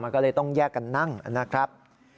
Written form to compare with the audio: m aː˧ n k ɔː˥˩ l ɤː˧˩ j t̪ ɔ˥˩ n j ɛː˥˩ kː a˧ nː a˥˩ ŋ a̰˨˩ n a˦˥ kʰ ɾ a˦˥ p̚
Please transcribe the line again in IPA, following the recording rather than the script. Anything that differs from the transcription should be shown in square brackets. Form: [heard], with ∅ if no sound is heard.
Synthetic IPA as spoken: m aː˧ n k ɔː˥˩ l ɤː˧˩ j t̪ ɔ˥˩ [ŋ] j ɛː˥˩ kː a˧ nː a˥˩ ŋ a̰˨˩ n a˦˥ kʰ ɾ a˦˥ p̚